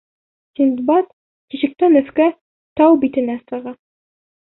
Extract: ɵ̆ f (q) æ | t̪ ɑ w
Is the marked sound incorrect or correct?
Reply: incorrect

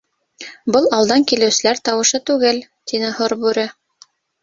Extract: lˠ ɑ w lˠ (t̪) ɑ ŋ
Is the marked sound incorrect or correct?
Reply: incorrect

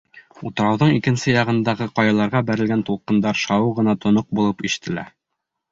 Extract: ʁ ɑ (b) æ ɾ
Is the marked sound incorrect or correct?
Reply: correct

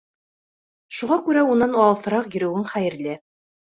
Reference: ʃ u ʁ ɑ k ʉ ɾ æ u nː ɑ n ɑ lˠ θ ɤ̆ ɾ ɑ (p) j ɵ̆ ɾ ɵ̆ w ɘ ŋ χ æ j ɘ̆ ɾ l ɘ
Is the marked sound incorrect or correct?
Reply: incorrect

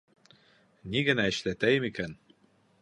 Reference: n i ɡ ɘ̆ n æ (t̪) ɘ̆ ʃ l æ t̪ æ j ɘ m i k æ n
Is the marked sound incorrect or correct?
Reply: incorrect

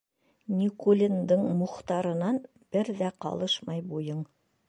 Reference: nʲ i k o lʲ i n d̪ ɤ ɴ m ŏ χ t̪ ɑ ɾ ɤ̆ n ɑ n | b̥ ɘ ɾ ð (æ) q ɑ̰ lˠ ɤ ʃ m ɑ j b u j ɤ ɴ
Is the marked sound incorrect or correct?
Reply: correct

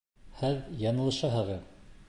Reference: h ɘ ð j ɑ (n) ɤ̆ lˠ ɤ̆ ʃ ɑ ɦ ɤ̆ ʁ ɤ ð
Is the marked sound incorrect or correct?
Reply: correct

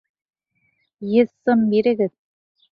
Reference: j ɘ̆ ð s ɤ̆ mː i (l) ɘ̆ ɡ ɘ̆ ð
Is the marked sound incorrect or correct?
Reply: incorrect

